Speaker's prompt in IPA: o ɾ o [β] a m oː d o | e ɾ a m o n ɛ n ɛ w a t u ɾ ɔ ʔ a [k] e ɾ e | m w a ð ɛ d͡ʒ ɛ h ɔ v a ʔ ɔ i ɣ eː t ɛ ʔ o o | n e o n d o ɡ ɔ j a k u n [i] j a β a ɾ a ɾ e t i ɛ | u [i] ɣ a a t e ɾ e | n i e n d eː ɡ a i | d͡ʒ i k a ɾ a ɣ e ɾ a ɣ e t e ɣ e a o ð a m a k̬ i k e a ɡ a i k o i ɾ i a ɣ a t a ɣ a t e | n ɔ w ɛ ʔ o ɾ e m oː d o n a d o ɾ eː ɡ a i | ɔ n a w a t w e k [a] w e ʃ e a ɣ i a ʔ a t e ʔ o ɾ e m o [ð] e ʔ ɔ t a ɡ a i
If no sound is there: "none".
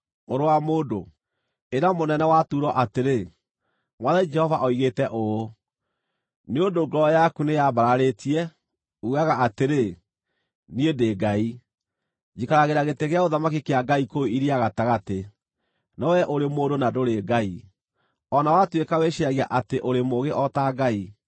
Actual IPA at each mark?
w, t, e, a, a, ɣ

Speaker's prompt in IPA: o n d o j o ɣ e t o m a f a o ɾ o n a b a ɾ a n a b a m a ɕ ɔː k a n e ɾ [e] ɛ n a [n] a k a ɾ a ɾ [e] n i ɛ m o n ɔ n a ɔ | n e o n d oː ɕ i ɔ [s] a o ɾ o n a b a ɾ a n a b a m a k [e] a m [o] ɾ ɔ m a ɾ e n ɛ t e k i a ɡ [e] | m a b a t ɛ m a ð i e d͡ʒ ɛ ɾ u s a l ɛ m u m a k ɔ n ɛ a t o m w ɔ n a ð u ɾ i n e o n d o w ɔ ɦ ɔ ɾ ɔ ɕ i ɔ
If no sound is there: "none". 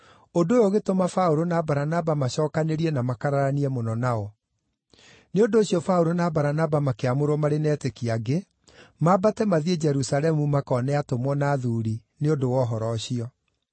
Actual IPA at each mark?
i, m, a, f, e, o, e

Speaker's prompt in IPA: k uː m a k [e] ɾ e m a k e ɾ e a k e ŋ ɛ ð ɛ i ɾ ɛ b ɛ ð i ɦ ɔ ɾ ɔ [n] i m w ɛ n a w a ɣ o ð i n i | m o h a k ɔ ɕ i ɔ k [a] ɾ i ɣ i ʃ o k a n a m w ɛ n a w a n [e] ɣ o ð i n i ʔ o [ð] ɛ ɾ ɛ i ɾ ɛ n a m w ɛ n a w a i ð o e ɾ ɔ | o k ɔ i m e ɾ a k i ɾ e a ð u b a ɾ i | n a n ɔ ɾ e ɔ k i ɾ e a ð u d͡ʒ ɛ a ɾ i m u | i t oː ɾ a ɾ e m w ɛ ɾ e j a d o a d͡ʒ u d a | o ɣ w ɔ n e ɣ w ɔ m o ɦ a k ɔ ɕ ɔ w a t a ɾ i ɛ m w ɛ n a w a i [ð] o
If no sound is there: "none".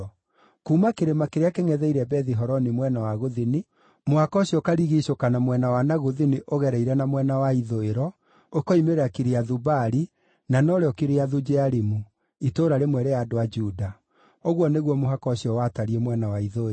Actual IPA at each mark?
e, n, a, a, ɣ, ð

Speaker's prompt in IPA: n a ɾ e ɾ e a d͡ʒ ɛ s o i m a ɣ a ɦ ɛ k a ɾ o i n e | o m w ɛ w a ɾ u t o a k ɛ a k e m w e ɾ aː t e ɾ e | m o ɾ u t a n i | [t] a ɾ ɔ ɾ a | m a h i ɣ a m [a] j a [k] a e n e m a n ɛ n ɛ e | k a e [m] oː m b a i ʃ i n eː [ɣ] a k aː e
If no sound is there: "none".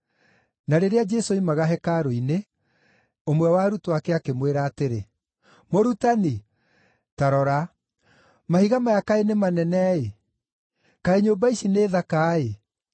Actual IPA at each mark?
t, a, k, ɲ, ð

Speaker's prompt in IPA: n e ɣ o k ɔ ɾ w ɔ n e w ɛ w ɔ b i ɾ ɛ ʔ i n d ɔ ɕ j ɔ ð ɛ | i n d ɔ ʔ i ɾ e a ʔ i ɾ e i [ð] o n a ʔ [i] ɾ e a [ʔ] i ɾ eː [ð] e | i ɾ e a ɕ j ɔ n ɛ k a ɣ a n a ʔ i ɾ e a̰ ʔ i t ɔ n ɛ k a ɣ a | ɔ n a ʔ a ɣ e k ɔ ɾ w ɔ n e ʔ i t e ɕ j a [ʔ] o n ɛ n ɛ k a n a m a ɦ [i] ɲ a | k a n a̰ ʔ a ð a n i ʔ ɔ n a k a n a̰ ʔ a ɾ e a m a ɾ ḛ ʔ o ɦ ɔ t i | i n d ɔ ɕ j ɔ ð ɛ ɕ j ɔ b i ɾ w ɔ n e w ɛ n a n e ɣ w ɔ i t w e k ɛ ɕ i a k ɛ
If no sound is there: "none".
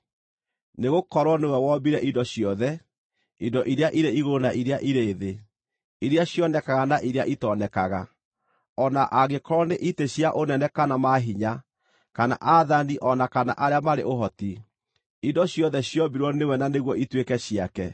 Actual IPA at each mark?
ɣ, i, ʔ, ð, ʔ, i

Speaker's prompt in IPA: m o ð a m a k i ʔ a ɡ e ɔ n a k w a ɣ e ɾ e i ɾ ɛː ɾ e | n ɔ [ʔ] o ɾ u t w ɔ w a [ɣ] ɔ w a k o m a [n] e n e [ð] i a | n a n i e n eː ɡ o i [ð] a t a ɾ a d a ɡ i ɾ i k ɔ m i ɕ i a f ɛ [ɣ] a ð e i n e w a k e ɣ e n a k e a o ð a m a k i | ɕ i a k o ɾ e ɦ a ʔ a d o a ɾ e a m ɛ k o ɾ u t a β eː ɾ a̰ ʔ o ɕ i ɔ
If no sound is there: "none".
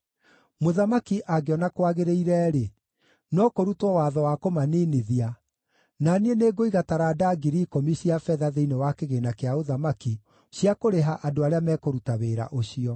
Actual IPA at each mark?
k, ð, n, ð, ɣ, ð

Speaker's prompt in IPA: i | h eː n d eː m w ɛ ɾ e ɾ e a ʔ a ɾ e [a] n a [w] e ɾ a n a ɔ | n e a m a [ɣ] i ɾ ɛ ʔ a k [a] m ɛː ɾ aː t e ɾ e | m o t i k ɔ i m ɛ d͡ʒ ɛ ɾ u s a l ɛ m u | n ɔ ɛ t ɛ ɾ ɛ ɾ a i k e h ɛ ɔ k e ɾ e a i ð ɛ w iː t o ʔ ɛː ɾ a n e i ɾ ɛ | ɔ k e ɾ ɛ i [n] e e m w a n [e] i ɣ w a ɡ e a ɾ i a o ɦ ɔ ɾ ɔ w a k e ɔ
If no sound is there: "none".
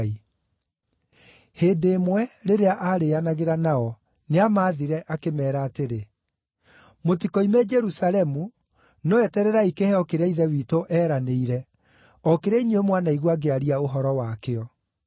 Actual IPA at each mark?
a, ɣ, ð, e, ɲ, a

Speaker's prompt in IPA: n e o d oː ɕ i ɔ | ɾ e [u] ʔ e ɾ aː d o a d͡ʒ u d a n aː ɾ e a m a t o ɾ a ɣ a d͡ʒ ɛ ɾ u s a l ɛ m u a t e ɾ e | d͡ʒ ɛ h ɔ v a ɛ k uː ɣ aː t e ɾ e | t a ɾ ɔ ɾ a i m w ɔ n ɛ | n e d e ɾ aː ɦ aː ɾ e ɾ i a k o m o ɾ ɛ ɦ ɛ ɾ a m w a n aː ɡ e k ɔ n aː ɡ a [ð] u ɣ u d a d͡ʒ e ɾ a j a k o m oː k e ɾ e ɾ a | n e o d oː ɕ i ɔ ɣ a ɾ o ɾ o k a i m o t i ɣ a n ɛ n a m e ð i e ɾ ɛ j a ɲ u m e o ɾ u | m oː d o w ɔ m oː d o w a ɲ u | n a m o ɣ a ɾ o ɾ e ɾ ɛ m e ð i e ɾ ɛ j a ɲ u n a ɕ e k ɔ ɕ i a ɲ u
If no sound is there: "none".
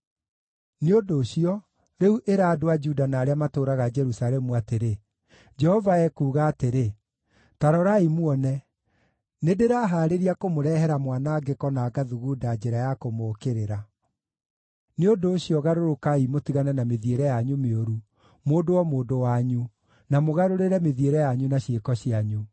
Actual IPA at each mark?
u, ð

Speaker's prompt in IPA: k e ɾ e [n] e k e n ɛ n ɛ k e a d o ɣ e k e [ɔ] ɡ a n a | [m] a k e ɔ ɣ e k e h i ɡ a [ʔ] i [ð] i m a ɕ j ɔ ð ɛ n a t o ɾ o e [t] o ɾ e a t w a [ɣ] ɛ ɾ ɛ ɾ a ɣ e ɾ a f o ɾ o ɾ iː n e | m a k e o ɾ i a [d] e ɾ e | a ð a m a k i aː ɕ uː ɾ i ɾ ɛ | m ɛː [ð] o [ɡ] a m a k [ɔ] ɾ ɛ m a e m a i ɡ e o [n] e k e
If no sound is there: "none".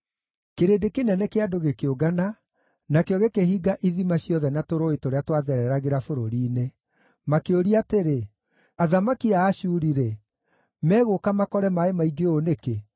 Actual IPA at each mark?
d, o, n, ʔ, ð, t, ð, t, ɣ, k, ɔ, n

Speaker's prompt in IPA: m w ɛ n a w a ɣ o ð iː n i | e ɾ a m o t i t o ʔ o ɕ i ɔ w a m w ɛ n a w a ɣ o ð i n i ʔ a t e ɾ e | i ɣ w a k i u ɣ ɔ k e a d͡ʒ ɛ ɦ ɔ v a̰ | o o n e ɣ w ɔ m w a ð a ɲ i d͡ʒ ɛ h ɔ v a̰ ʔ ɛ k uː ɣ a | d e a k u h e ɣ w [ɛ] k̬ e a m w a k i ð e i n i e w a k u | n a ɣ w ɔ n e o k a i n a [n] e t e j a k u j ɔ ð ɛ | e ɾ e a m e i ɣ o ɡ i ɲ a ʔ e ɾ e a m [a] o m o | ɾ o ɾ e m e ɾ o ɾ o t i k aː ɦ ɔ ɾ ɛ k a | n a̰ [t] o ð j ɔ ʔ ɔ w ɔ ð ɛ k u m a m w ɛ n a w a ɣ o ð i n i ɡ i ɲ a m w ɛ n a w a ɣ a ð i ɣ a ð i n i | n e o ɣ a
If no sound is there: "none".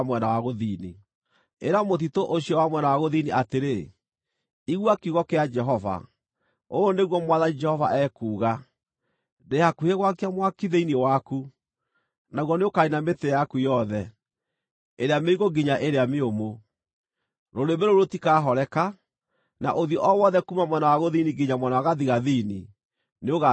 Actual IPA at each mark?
a, m, e, ʔ

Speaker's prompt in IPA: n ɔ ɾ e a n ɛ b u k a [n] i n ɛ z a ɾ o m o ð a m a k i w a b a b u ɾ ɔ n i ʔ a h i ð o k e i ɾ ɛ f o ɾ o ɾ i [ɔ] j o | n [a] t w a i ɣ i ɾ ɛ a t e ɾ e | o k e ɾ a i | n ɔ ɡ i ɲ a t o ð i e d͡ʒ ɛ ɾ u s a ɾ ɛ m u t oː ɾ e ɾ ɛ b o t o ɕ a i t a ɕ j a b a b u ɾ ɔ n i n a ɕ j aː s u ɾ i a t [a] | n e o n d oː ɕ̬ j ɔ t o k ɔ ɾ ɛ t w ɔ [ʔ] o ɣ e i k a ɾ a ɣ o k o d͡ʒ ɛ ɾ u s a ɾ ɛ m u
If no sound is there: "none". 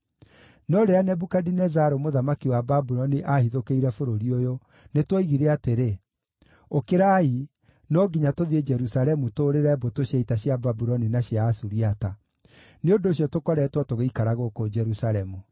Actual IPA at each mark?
d, o, e, a, t

